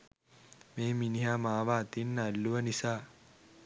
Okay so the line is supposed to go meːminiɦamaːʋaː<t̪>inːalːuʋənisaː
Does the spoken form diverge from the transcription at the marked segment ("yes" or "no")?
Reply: no